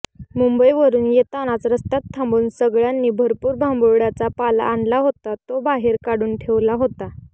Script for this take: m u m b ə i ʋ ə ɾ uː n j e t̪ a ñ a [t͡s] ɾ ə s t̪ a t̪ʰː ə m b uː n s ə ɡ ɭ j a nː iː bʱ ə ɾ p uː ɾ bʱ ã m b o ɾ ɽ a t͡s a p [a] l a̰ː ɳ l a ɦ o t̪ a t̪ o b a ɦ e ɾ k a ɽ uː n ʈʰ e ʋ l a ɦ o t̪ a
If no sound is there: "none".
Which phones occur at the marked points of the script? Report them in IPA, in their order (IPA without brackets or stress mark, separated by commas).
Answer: t͡s, a